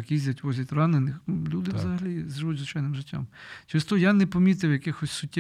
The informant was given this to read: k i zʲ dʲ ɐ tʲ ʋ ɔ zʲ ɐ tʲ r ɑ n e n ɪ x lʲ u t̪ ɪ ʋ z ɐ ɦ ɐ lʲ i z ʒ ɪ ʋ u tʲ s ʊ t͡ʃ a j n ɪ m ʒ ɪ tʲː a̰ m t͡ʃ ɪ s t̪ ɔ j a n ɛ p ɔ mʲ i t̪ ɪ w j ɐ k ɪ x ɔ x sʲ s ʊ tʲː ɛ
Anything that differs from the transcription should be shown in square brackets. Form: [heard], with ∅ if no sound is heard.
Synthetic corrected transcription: k i zʲ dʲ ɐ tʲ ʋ ɔ zʲ ɐ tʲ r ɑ n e n ɪ x lʲ u [d̪] ɪ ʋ z ɐ ɦ ɐ lʲ i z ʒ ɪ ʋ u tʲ [z] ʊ t͡ʃ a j n ɪ m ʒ ɪ tʲː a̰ m t͡ʃ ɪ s t̪ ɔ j a n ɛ p ɔ mʲ i t̪ ɪ w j ɐ k ɪ x ɔ [∅] sʲ s ʊ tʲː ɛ